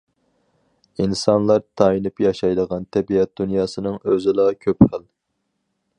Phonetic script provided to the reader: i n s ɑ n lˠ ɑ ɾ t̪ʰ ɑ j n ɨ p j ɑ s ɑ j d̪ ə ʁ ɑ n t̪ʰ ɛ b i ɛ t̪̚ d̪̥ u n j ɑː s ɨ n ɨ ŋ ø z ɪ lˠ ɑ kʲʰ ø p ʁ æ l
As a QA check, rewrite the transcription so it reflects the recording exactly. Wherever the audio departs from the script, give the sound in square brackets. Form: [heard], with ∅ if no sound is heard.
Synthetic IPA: i n s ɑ n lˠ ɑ ɾ t̪ʰ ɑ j n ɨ p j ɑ [ʃ] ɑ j d̪ ə ʁ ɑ n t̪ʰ ɛ b i ɛ t̪̚ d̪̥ u n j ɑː s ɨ n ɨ ŋ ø z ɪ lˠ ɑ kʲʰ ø p [χ] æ l

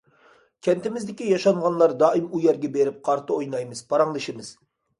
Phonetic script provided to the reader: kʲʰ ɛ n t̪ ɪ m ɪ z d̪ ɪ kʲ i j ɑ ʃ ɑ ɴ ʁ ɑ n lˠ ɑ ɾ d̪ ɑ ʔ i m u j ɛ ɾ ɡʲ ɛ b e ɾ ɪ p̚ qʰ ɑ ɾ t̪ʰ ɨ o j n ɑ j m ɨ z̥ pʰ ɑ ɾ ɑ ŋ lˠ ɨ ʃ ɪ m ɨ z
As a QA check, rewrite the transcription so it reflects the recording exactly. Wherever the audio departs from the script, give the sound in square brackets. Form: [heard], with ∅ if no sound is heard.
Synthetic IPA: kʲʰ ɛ n t̪ ɪ m ɪ z d̪ ɪ kʲ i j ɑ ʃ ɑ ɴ ʁ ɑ n lˠ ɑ ɾ d̪ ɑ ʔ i m u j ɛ ɾ ɡʲ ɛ b e ɾ ɪ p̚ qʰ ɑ ɾ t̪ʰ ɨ o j n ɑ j m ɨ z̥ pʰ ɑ ɾ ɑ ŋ lˠ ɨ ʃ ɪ m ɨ z

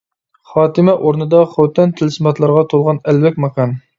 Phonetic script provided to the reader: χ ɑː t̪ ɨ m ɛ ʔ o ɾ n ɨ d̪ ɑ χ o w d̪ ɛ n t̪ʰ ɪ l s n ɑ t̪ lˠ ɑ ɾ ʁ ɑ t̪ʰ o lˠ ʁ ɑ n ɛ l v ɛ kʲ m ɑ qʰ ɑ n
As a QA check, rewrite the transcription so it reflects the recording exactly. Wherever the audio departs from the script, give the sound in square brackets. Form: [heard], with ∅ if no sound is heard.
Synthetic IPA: χ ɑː t̪ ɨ m ɛ ʔ o ɾ n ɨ d̪ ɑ χ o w [t̪] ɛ n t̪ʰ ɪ l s [m] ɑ t̪ lˠ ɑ ɾ ʁ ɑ t̪ʰ o lˠ ʁ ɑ n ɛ l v ɛ kʲ m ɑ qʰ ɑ n

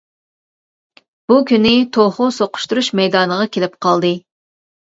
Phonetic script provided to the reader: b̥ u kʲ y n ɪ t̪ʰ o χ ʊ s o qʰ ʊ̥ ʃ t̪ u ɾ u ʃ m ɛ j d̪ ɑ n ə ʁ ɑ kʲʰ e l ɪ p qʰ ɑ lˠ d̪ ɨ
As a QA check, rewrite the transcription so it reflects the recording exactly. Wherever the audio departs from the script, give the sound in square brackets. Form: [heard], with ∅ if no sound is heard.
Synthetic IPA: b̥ u kʲ y n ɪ t̪ʰ o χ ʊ s o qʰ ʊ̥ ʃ t̪ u ɾ u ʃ m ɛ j d̪ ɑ n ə ʁ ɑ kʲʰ e l ɪ p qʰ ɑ lˠ d̪ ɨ

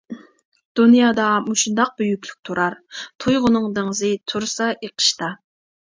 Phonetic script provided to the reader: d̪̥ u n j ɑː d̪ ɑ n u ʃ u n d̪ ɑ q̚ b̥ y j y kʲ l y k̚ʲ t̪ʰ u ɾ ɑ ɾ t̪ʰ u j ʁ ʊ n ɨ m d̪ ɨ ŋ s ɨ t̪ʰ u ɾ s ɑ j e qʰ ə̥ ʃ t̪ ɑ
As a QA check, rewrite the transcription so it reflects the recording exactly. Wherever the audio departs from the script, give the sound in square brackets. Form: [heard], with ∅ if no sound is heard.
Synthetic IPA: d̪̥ u n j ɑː d̪ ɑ [m] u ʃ u n d̪ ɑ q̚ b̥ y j y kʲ l y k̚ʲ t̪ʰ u ɾ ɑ ɾ t̪ʰ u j ʁ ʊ n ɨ [ŋ] d̪ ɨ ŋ [z] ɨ t̪ʰ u ɾ s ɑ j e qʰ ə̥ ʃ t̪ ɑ

